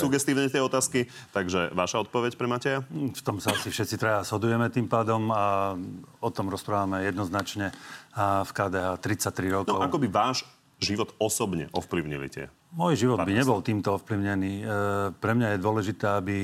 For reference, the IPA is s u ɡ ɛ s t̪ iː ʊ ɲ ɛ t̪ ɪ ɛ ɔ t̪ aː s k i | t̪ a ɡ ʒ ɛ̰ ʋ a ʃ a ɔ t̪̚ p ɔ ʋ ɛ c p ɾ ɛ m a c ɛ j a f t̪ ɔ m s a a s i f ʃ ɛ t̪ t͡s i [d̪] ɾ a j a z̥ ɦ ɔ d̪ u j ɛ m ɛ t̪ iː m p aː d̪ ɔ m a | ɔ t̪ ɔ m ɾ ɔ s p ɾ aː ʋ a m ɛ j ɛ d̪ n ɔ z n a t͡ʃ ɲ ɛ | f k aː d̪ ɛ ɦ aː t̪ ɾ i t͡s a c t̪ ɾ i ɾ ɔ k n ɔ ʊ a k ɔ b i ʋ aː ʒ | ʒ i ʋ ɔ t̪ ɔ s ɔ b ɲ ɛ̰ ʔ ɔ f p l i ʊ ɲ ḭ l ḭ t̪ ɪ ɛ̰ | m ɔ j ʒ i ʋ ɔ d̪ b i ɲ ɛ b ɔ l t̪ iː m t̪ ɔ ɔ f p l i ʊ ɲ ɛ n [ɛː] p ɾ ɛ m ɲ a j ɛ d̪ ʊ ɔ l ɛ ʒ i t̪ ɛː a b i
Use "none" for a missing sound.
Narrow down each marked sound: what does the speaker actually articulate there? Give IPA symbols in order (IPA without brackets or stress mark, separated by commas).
t̪, iː